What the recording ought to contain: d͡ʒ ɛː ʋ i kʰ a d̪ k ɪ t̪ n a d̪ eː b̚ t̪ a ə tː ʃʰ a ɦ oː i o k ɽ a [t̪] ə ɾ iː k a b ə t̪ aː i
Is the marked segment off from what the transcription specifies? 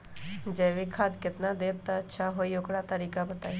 no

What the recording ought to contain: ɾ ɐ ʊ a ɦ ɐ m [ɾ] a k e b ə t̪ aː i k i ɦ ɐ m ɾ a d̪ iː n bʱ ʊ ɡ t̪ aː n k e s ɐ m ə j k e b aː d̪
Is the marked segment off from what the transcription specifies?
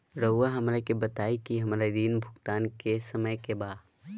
no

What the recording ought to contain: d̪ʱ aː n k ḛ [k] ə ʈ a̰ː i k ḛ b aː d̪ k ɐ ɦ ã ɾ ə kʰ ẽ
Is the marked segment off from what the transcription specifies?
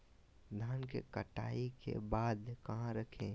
no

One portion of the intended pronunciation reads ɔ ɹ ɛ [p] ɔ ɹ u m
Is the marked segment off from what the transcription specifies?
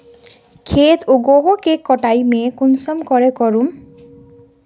yes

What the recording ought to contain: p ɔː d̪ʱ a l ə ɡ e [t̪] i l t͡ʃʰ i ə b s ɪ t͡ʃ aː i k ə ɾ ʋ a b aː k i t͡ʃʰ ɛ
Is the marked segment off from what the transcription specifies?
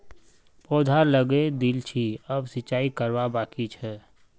yes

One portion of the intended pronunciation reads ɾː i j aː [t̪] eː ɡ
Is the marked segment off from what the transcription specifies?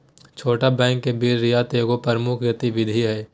no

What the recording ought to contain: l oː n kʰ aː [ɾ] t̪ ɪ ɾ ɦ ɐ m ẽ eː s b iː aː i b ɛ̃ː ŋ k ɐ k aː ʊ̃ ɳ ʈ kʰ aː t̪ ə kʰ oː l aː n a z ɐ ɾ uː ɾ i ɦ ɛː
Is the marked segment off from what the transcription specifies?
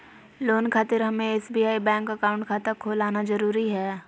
yes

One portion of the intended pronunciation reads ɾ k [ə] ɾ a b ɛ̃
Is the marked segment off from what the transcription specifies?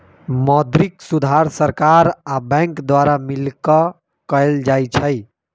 yes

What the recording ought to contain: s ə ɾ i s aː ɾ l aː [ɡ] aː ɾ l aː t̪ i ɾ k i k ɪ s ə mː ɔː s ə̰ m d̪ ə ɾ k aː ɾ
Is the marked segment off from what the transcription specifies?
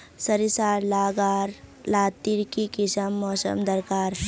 no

